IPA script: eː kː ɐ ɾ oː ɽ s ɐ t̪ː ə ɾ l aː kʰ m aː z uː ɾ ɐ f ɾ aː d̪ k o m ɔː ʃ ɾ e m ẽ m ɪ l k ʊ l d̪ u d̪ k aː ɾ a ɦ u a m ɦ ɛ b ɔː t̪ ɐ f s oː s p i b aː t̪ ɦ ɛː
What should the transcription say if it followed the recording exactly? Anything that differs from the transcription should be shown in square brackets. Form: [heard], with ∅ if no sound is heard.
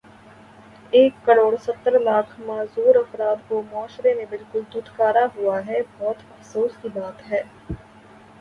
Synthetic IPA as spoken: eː kː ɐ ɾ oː ɽ s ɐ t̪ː ə ɾ l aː kʰ m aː z uː ɾ ɐ f ɾ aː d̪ k o m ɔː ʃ ɾ e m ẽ [b] ɪ l k ʊ l d̪ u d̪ k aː ɾ a ɦ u a [∅] ɦ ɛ b ɔː t̪ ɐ f s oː s [k] i b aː t̪ ɦ ɛː

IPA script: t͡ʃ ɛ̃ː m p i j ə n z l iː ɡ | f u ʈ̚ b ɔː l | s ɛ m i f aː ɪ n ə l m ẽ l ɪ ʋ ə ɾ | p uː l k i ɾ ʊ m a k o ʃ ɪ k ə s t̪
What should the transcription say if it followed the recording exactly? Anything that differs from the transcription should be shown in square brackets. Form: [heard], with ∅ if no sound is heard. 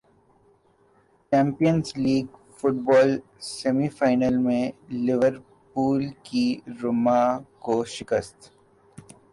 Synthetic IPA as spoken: t͡ʃ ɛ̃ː m p i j ə n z l iː ɡ | f [ʊ] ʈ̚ b ɔː l | s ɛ m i f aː ɪ n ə l m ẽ l ɪ ʋ ə ɾ | p uː l k i ɾ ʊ m a k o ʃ ɪ k ə s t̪

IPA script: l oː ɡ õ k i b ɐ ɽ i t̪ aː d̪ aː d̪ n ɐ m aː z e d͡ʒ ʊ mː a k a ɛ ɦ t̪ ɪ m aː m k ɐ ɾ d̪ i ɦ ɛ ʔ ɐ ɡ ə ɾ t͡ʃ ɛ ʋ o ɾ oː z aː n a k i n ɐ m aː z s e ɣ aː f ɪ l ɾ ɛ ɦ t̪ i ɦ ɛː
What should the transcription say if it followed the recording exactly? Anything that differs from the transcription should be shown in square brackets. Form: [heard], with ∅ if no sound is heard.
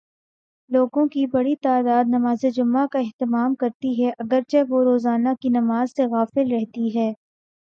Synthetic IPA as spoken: l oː ɡ õ k i b ɐ ɽ i t̪ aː d̪ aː d̪ n ɐ m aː z e d͡ʒ ʊ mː a k a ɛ ɦ t̪ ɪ m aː m k ɐ ɾ [t̪] i ɦ ɛ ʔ ɐ ɡ ə ɾ t͡ʃ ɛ ʋ o ɾ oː z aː n a k i n ɐ m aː z s e ɣ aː f ɪ l ɾ ɛ ɦ t̪ i ɦ ɛː

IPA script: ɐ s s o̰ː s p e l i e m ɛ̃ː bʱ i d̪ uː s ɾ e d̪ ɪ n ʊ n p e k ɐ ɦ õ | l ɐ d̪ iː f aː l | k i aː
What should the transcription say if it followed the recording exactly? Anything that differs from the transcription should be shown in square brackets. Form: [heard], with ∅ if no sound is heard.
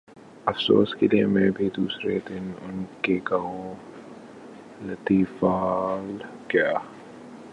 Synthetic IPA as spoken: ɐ [f] s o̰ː s [k] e l i e m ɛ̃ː bʱ i d̪ uː s ɾ e d̪ ɪ n ʊ n [k] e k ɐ ɦ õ | l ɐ [t̪] iː f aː l | k [j] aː

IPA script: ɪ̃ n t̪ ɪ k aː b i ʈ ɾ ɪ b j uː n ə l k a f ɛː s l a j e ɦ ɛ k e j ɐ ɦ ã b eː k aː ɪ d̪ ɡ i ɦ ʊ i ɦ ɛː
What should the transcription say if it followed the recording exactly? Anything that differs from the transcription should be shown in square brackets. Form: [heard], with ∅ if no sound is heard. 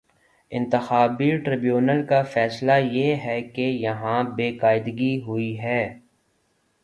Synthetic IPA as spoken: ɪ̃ n t̪ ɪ [x] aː b i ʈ ɾ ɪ b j uː n ə l k a f ɛː s l a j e ɦ ɛ k e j ɐ ɦ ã b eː k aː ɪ d̪ ɡ i ɦ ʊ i ɦ ɛː

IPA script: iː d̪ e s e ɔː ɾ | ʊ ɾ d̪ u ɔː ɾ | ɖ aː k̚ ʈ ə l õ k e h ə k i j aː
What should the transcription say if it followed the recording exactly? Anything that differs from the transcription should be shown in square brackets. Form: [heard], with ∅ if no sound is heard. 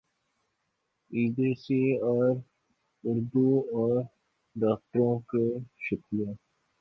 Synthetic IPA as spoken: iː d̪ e s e ɔː ɾ | ʊ ɾ d̪ u ɔː ɾ | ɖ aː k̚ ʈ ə [ɾ] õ k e [ʃ] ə k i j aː

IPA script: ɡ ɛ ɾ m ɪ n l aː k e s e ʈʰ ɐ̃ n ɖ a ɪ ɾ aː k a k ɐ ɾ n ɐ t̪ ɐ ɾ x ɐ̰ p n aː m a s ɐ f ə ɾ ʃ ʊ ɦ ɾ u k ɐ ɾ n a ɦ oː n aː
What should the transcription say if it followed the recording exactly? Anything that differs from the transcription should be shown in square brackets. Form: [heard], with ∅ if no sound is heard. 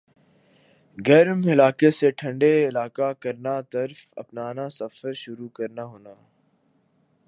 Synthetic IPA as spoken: ɡ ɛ ɾ m ɪ [∅] l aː k e s e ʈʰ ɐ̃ [ɳ] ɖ [e] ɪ [l] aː k a k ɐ ɾ n [a] t̪ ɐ ɾ [f] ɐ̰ p n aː [n] a s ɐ f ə ɾ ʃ ʊ [∅] ɾ u k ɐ ɾ n a ɦ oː n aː

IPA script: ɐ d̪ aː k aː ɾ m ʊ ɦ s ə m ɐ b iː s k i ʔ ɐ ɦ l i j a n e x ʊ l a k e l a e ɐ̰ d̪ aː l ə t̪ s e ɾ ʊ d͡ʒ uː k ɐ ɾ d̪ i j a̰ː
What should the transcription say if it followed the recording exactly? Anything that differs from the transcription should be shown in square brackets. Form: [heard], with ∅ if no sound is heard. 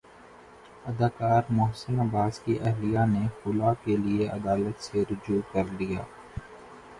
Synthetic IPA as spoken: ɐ d̪ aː k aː ɾ m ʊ ɦ s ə [n] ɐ b [aː] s k i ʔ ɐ ɦ l i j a n e x ʊ l a k e l [i] e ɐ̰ d̪ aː l ə t̪ s e ɾ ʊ d͡ʒ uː k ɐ ɾ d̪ i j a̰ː

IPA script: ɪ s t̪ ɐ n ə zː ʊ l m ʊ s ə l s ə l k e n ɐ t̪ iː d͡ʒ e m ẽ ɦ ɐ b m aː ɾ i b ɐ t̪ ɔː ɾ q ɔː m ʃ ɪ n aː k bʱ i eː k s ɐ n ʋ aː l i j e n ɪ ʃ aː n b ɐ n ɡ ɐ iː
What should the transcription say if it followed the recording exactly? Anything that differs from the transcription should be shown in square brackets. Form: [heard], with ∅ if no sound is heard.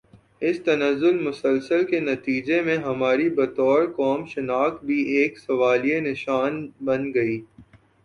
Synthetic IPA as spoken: ɪ s t̪ ɐ n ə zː ʊ l m ʊ s ə l s ə l k e n ɐ t̪ iː d͡ʒ e m ẽ ɦ ɐ [∅] m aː ɾ i b ɐ t̪ ɔː ɾ [k] ɔː m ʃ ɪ n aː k bʱ i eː k s ɐ [∅] ʋ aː l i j e n ɪ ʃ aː n b ɐ n ɡ ɐ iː

